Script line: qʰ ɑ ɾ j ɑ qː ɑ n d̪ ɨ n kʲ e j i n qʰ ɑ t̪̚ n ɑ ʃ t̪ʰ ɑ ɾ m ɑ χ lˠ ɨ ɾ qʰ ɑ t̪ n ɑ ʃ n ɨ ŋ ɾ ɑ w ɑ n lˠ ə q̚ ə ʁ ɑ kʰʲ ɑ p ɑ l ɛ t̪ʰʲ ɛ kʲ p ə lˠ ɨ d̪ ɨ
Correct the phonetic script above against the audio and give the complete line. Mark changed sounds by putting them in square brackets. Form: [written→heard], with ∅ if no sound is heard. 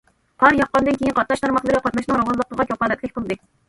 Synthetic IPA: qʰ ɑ ɾ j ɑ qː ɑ n d̪ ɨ n kʲ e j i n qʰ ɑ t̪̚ n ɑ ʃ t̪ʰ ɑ ɾ m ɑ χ lˠ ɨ ɾ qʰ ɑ t̪ n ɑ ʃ n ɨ ŋ ɾ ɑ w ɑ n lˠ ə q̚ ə ʁ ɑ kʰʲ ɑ p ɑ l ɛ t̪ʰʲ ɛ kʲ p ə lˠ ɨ d̪ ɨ